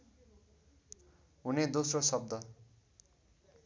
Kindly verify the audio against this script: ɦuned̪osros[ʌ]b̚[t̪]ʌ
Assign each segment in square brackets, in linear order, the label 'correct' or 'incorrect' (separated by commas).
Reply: correct, incorrect